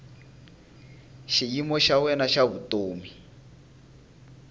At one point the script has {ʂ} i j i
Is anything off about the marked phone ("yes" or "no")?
yes